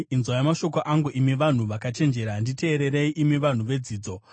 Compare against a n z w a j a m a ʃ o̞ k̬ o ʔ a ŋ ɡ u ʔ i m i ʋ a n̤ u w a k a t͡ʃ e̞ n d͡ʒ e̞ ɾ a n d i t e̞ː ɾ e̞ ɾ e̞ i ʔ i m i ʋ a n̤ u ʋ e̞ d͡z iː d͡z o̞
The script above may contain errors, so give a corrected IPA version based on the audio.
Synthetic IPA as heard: i n z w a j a m a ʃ o̞ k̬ o ʔ a ŋ ɡ u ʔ i m i ʋ a n̤ u ʋ a k a t͡ʃ e̞ n d͡ʒ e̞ ɾ a n d i t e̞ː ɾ e̞ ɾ e̞ i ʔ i m i ʋ a n̤ u ʋ e̞ d͡z iː d͡z o̞